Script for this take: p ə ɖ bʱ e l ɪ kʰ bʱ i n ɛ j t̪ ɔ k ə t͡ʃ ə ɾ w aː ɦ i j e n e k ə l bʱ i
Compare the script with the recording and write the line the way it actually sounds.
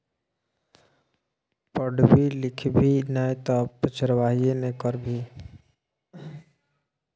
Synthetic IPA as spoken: p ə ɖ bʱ i l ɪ kʰ bʱ i n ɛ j t̪ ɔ p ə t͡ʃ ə ɾ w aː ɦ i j e n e k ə ɾ bʱ i